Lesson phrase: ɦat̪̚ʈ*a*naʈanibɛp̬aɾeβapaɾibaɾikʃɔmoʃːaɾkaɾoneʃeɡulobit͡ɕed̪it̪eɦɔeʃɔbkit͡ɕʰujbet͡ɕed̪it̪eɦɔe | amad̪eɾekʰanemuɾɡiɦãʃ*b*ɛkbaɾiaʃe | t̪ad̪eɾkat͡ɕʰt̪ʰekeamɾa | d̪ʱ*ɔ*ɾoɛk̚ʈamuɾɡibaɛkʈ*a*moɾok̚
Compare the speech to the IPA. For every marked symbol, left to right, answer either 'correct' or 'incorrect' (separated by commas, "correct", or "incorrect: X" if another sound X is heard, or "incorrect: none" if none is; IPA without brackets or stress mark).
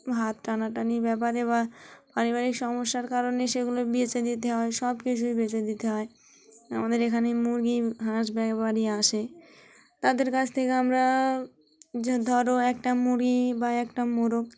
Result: correct, correct, correct, correct